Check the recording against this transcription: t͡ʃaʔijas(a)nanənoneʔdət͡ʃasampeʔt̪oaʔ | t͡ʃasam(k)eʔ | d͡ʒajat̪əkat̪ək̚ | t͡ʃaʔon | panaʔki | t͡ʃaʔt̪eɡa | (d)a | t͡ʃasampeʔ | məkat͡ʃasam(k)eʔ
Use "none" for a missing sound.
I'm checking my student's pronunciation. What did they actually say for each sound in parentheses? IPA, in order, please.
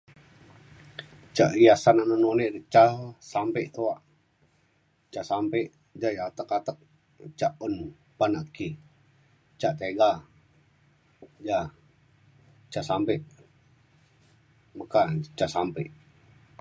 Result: a, p, d͡ʒ, p

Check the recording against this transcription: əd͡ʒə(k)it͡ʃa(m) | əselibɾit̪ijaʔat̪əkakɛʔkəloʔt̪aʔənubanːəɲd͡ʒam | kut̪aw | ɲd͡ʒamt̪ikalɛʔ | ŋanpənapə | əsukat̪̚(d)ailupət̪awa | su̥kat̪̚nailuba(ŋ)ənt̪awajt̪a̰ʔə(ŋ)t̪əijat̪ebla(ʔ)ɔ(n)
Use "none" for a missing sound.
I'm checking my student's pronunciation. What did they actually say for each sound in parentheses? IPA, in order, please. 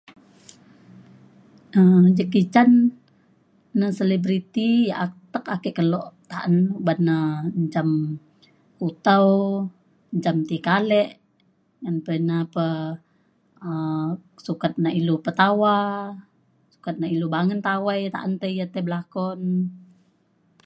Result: k, n, n, ŋ, n, k, n

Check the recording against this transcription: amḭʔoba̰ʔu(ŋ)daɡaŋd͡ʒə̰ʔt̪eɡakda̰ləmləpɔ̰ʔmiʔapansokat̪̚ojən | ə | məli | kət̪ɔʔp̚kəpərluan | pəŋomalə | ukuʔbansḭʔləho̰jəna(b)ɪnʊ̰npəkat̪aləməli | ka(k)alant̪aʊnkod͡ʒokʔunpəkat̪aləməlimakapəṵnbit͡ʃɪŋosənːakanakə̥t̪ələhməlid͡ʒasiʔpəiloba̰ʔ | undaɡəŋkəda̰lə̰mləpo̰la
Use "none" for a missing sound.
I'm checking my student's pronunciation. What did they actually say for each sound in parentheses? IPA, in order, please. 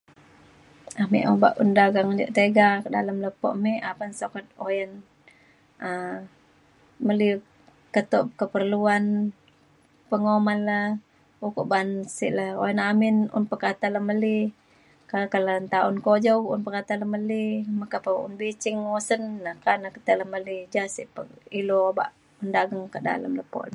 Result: n, m, k

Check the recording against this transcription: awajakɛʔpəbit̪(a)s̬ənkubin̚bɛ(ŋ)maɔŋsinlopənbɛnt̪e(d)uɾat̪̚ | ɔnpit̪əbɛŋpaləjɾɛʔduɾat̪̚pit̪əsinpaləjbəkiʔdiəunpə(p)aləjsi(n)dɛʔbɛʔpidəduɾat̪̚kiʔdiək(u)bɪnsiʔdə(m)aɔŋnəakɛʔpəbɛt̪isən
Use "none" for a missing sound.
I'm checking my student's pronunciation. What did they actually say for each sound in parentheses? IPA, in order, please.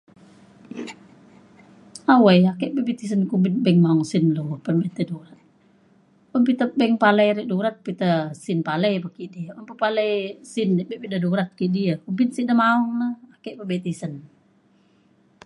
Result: i, ŋ, d, p, n, u, m

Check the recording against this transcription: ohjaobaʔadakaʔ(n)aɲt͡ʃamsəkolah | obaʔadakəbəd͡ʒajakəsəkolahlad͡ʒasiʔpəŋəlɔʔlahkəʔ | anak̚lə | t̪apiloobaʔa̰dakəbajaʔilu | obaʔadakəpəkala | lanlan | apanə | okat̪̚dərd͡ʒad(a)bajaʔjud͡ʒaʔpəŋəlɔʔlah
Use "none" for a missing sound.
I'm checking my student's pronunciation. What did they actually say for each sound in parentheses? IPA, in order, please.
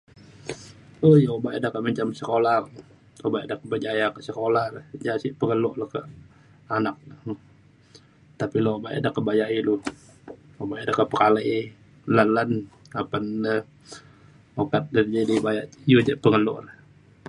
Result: m, i

